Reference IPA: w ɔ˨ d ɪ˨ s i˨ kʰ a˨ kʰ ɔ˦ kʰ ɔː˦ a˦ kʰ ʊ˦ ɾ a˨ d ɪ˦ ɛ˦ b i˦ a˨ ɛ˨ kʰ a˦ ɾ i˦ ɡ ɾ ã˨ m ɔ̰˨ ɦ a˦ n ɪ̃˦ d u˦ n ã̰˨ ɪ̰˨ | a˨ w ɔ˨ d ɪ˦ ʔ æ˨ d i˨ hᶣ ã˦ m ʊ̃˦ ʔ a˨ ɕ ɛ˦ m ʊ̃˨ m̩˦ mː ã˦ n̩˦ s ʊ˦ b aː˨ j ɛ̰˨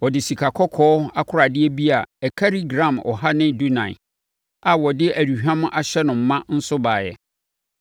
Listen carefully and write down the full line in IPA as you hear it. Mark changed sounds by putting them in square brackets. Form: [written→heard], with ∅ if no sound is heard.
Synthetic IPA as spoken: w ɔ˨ d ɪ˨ s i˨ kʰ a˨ kʰ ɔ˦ kʰ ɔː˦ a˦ kʰ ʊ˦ ɾ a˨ d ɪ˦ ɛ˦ b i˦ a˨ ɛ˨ kʰ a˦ ɾ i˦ ɡ ɾ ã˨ m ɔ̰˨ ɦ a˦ n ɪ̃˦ d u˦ n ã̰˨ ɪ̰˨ | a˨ w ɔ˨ d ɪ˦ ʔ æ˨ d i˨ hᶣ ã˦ m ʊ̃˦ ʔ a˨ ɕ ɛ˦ [m→n] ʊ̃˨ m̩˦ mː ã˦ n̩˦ s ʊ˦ b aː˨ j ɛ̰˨

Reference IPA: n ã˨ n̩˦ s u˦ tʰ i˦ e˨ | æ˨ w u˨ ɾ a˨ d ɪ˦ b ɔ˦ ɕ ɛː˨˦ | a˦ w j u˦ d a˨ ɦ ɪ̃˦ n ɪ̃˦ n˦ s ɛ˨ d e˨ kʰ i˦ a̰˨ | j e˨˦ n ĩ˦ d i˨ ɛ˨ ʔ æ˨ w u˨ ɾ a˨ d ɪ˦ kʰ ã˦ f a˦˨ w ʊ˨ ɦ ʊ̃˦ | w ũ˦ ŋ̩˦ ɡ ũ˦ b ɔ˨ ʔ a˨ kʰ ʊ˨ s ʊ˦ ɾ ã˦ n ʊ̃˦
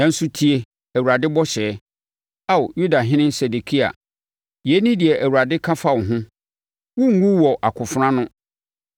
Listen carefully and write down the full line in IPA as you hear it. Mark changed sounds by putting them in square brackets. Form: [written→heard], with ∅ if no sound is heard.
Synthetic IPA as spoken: n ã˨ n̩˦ s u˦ tʰ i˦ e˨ | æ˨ w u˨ ɾ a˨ d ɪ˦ b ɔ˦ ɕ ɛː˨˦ | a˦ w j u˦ d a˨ ɦ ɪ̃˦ n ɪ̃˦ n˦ s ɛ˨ d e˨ kʰ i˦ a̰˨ | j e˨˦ n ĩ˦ d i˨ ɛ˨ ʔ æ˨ w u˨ ɾ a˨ d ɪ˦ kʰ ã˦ f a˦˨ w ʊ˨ ɦ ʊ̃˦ | w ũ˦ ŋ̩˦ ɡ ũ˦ [b→w] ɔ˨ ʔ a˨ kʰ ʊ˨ [s→f] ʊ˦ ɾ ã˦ n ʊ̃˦

